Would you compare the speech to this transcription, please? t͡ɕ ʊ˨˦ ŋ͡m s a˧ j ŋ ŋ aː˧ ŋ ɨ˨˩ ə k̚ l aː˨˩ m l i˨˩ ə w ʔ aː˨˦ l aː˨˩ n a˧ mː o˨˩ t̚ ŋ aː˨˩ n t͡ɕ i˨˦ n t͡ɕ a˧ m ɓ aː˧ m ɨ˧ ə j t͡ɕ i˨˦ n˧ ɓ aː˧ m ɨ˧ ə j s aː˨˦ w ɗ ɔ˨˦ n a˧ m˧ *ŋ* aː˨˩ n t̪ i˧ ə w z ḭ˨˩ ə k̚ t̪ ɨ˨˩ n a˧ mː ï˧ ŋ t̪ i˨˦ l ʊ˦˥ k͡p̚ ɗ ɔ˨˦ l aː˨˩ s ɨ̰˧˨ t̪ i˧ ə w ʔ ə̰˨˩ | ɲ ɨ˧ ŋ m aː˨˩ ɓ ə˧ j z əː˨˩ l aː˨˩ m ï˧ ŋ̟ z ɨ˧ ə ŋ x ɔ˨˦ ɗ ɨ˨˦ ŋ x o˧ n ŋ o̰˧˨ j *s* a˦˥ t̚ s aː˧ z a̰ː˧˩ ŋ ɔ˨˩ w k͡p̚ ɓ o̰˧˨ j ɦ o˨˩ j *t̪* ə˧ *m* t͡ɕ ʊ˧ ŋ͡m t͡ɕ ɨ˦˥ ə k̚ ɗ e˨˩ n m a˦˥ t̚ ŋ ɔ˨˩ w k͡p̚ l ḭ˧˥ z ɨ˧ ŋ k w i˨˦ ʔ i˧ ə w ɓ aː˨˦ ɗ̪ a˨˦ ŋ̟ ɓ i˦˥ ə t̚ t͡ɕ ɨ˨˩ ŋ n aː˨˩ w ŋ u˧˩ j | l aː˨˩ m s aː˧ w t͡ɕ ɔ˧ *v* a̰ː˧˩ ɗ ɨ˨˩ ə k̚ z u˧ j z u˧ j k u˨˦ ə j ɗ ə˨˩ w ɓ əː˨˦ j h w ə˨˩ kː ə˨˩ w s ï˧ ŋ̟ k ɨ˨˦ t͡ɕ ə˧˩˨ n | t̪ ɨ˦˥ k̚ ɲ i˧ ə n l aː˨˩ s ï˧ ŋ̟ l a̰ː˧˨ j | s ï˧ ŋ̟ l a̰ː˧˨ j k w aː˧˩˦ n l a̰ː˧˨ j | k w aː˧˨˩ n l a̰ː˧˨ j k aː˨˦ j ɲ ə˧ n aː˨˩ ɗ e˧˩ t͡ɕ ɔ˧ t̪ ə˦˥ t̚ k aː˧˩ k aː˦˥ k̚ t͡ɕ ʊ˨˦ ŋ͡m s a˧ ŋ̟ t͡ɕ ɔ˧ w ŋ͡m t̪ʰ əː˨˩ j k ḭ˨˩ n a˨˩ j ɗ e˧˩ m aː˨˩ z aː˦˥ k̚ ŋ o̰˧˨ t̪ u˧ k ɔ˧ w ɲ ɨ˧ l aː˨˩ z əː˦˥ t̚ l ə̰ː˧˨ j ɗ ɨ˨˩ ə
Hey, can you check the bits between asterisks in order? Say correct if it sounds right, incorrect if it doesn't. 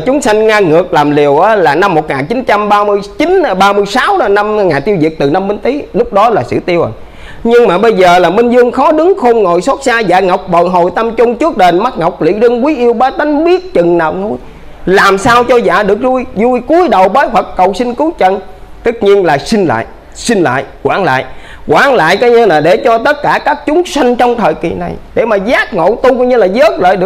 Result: correct, correct, correct, correct, incorrect: z

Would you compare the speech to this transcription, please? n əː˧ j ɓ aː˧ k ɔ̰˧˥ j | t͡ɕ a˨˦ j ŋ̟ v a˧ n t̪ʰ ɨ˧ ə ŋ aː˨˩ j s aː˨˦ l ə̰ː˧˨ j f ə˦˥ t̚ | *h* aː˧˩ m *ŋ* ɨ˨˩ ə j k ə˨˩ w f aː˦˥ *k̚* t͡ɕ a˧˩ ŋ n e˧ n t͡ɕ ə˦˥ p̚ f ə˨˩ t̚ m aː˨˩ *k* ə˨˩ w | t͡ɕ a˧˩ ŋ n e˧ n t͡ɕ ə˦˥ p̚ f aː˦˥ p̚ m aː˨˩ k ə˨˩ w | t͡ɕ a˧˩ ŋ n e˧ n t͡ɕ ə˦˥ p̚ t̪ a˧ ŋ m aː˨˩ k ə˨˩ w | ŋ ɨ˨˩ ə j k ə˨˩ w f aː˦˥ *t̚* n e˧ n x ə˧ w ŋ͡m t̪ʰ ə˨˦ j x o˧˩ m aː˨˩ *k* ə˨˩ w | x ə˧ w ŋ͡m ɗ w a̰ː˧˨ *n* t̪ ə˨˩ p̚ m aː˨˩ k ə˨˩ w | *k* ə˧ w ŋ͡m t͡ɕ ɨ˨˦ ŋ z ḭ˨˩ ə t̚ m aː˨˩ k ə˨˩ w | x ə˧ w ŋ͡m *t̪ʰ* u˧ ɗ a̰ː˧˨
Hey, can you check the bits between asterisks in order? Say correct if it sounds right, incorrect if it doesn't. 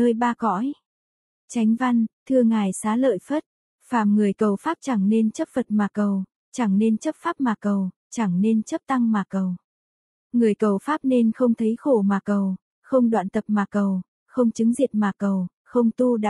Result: incorrect: f, correct, incorrect: p̚, correct, incorrect: p̚, correct, correct, incorrect: x, incorrect: t̪

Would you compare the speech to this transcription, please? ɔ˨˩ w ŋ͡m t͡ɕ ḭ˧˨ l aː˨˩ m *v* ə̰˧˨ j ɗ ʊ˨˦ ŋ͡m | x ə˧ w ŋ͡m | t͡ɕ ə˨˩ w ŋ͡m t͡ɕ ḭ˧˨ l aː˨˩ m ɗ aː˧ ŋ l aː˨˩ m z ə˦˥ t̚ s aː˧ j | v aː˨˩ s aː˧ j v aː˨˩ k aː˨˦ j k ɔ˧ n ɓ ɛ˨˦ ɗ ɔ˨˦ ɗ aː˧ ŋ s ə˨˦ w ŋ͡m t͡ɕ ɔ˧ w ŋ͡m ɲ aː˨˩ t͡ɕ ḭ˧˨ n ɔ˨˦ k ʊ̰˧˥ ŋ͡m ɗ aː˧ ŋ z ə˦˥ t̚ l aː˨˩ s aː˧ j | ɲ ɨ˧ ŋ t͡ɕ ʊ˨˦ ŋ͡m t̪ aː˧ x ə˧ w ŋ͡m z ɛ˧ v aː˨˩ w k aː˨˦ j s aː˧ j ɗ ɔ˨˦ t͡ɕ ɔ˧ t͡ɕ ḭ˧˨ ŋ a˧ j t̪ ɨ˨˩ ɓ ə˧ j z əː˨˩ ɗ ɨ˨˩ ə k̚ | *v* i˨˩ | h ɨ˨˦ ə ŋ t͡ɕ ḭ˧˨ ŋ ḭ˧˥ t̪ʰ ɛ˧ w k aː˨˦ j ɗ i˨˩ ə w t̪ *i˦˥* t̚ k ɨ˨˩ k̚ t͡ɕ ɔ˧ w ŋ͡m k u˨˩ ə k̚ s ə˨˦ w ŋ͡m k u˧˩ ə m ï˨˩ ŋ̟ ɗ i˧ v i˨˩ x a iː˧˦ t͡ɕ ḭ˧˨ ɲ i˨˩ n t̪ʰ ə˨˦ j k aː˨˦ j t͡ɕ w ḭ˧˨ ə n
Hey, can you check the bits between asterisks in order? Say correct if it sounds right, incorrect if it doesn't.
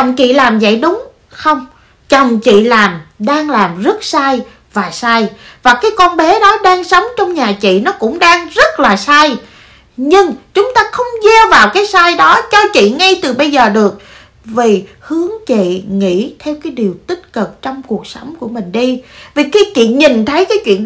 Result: incorrect: z, correct, correct

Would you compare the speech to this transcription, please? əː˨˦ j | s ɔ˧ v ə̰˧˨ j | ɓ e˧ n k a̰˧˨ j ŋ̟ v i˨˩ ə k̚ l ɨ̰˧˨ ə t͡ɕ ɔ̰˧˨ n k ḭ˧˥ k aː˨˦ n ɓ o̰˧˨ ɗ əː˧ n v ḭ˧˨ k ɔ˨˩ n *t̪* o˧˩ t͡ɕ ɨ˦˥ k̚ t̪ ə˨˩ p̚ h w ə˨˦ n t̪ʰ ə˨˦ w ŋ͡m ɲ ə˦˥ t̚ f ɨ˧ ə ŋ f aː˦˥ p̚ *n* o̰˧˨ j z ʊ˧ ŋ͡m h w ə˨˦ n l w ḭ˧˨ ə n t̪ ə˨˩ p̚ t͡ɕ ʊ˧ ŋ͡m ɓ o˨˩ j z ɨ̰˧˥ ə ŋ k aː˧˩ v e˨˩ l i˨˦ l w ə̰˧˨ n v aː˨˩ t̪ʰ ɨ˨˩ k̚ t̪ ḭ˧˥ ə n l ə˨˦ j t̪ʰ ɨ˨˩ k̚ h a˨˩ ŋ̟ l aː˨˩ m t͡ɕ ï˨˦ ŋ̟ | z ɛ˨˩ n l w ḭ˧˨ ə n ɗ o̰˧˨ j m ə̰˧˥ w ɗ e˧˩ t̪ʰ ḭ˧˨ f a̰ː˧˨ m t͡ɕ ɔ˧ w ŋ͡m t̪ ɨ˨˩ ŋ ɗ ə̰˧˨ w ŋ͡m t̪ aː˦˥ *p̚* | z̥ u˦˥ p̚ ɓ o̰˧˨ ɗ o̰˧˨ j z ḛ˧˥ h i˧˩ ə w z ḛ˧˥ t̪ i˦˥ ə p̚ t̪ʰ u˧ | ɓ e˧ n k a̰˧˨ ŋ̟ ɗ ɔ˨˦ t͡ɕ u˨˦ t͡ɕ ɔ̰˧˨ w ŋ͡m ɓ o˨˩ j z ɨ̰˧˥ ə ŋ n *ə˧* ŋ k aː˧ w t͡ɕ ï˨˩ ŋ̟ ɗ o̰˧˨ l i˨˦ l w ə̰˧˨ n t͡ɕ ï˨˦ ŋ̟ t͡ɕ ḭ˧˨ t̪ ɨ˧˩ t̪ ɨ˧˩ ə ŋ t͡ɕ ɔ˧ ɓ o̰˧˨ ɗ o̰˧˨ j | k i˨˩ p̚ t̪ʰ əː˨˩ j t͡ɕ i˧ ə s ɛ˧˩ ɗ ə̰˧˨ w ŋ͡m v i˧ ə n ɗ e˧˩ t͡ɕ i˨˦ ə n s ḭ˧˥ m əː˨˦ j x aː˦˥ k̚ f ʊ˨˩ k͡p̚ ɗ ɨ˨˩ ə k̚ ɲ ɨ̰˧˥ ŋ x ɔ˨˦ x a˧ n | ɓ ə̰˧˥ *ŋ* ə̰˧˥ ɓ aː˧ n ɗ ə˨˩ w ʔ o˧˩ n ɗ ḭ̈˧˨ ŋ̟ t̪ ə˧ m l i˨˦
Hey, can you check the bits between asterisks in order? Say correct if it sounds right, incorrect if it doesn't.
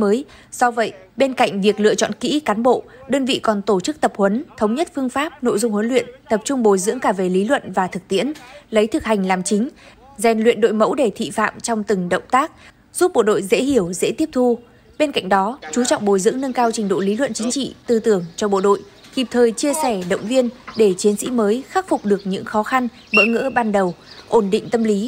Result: correct, correct, incorrect: k̚, correct, correct

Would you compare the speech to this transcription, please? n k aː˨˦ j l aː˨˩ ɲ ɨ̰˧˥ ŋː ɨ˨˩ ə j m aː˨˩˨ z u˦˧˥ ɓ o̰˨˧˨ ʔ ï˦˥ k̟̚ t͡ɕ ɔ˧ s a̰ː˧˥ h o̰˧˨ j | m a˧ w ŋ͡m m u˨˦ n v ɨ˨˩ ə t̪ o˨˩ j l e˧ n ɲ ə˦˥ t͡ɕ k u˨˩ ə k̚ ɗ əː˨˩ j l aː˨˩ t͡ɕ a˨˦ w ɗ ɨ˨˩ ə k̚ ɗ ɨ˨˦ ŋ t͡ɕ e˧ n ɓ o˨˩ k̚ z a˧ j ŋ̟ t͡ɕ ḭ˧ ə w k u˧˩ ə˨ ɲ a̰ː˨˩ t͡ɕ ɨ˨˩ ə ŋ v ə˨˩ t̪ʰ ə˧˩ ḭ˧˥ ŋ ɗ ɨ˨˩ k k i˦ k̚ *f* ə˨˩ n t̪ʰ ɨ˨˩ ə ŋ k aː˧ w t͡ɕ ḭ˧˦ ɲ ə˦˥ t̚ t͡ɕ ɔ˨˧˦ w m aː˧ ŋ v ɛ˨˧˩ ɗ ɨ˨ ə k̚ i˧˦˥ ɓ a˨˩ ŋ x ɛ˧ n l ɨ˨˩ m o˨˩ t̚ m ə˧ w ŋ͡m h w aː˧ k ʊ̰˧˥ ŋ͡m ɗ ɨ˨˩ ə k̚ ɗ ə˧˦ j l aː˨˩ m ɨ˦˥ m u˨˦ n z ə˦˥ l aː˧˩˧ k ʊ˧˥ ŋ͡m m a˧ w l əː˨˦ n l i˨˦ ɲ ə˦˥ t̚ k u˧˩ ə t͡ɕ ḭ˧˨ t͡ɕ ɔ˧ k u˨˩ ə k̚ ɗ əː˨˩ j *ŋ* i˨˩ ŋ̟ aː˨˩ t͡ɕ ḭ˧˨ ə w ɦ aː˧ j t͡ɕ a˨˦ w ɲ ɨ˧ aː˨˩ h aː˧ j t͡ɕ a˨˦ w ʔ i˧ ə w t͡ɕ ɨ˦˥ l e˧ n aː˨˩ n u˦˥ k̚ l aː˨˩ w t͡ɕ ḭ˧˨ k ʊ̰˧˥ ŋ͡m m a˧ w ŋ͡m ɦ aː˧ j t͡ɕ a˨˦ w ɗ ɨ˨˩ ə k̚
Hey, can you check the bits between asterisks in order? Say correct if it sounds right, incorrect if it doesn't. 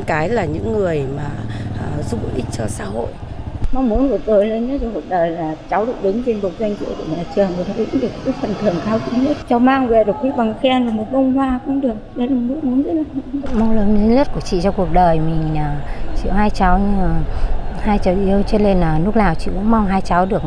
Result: correct, incorrect: m

